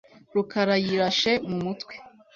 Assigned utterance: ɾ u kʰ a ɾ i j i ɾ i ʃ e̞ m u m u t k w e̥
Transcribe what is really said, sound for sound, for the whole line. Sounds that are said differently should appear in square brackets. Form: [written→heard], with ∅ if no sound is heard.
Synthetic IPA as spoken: ɾ u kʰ a ɾ [i→a] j i ɾ [i→a] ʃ e̞ m u m u t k w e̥